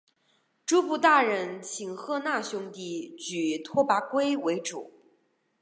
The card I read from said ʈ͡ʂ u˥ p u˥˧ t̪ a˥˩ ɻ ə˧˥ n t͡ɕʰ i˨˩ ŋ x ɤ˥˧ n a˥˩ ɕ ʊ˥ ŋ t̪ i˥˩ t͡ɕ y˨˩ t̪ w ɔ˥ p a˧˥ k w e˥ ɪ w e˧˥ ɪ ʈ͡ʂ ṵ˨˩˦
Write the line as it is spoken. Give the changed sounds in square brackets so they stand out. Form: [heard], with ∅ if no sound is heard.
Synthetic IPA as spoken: ʈ͡ʂ u˥ p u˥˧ t̪ a˥˩ ɻ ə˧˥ n t͡ɕʰ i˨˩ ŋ x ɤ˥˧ n a˥˩ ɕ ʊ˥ ŋ t̪ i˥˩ t͡ɕ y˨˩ [t̪ʰ] w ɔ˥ p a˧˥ k w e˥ ɪ w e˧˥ ɪ ʈ͡ʂ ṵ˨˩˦